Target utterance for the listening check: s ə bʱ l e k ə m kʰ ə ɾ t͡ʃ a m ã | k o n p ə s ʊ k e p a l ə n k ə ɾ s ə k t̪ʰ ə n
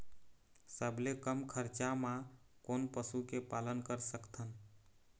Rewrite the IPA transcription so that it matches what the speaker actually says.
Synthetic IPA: s ə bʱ l e k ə m kʰ ə ɾ t͡ʃ a m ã | k o n p ə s u k e p a l ə n k ə ɾ s ə k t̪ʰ ə n